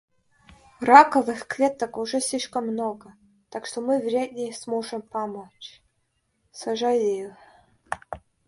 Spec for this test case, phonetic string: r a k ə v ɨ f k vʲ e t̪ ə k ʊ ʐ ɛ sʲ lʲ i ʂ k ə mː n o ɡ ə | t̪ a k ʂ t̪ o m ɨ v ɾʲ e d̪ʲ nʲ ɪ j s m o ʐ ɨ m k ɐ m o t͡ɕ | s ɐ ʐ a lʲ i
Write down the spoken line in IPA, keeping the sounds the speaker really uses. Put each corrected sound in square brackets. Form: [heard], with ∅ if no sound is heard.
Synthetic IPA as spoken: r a k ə v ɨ [x] k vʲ e t̪ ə k ʊ ʐ ɛ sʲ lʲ i ʂ k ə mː n o ɡ ə | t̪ a k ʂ t̪ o m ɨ v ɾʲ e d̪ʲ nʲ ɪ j s m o ʐ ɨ m [p] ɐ m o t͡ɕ | s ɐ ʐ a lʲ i